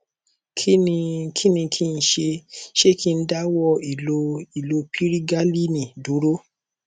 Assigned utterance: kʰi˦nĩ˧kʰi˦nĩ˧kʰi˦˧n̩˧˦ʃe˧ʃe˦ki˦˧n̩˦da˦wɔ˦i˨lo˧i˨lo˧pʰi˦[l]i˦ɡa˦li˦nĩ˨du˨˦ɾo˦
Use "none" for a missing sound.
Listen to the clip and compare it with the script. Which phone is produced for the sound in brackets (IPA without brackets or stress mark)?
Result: ɾ